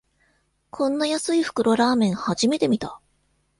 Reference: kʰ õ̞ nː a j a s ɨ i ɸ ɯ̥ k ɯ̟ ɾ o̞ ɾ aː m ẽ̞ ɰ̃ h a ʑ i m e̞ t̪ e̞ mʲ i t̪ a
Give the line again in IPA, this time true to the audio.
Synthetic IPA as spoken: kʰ õ̞ nː a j a s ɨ i ɸ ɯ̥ k ɯ̟ ɾ o̞ ɾ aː m ẽ̞ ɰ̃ h a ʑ i m e̞ t̪ e̞ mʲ i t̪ a